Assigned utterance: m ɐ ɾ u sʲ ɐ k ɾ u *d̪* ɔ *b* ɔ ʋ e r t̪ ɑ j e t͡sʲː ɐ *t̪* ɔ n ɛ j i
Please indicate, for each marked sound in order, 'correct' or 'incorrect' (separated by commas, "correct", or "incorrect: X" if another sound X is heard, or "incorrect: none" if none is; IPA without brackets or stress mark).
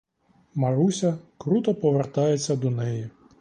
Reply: incorrect: t̪, incorrect: p, incorrect: d̪